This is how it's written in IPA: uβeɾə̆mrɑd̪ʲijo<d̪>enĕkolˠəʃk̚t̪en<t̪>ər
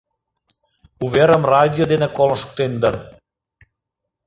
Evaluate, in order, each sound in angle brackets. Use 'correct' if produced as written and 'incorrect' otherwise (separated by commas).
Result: correct, incorrect